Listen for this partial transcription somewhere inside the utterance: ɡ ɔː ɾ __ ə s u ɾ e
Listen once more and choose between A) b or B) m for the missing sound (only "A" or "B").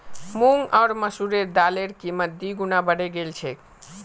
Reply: B